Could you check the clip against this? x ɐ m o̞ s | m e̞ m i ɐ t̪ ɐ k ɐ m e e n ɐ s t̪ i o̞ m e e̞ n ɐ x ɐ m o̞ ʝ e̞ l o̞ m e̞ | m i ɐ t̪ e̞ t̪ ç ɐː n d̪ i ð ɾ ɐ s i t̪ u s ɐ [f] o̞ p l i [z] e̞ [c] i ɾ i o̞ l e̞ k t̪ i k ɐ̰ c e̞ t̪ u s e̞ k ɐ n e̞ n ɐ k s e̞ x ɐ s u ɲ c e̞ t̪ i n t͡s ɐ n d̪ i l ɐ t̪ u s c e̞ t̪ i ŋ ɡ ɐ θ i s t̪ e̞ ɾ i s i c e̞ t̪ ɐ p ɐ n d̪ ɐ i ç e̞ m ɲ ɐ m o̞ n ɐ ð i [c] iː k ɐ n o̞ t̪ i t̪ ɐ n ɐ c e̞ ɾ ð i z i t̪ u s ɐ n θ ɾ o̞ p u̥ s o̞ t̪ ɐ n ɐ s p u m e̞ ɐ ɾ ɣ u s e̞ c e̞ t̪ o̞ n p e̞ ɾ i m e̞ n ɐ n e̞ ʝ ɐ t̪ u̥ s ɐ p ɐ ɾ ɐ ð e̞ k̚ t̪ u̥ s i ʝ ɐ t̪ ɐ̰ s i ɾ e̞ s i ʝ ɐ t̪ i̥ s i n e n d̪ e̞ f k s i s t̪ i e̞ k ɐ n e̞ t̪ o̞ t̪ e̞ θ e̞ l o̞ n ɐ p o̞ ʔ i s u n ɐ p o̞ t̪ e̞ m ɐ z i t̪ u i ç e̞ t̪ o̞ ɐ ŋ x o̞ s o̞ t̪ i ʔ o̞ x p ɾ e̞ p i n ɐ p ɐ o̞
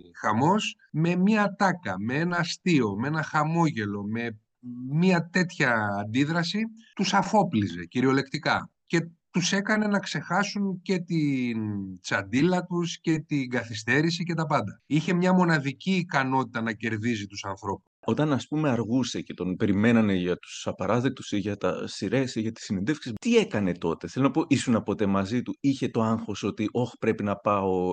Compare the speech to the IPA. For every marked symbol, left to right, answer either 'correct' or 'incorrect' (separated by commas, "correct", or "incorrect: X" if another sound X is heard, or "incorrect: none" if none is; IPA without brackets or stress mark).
correct, correct, correct, correct